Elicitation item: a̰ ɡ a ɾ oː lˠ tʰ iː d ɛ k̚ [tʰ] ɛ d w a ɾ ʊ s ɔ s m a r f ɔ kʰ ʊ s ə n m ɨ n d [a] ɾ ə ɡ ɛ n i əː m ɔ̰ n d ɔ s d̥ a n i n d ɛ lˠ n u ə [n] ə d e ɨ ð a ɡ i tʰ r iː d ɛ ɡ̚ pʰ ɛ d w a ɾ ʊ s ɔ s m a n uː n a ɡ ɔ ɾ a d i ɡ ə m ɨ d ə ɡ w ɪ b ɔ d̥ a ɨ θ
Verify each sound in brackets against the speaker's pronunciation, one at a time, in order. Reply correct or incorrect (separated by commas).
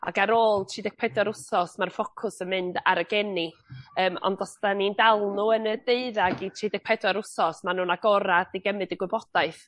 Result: incorrect, correct, correct